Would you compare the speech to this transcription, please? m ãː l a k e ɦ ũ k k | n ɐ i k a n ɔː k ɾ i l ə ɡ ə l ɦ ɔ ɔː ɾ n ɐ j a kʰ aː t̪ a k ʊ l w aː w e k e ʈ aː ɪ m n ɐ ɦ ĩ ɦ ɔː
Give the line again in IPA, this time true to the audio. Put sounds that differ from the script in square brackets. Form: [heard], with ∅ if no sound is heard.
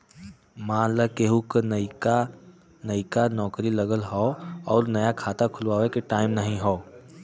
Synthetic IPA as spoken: m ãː l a k e ɦ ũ k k | n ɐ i k a n ɔː k ɾ i l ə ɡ ə l ɦ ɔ ɔː ɾ n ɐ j a kʰ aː t̪ a [kʰ] ʊ l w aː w e k e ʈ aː ɪ m n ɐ ɦ ĩ ɦ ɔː